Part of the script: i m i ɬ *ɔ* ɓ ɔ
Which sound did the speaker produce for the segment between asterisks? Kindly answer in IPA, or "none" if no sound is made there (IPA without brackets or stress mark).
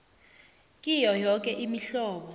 ɔː